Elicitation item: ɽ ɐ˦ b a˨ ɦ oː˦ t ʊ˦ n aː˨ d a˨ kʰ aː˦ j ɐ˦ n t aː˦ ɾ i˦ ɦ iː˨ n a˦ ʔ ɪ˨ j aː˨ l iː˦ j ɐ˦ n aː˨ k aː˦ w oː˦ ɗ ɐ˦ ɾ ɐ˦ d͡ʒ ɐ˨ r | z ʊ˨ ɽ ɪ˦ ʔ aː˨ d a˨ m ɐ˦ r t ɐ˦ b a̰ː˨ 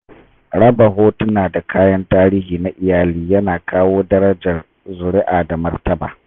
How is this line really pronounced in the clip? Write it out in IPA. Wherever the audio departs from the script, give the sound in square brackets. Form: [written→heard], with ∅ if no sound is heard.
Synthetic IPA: ɽ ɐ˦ b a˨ ɦ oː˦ t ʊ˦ n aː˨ d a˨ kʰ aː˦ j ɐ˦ n t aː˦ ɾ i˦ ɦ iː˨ n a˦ ʔ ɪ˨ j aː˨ l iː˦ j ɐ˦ n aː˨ k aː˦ w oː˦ [ɗ→d] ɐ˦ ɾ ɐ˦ d͡ʒ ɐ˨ r | z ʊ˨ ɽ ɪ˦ ʔ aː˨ d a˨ m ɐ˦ r t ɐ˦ b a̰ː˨